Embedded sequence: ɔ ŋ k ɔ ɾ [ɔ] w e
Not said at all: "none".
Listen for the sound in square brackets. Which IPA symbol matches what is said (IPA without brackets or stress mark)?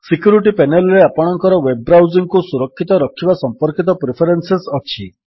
ɔ